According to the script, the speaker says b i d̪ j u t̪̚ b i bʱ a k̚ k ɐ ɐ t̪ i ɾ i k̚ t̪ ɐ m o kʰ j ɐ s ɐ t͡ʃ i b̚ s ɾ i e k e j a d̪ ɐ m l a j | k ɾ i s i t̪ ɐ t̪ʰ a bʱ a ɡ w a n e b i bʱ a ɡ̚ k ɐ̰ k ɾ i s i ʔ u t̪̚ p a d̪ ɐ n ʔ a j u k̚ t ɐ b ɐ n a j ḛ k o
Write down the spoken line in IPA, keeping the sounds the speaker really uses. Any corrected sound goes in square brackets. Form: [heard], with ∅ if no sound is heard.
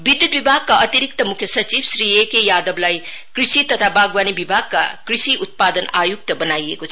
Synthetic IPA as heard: b i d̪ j u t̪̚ b i bʱ a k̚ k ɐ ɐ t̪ i ɾ i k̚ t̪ ɐ m [u] kʰ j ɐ s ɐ t͡ʃ i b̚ s ɾ i e k e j a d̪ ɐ [b] l a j | k ɾ i s i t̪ ɐ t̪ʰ a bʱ a ɡ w a n [i] b i bʱ a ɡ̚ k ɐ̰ k ɾ i s i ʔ u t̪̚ p a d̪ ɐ n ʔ a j u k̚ t ɐ b ɐ n a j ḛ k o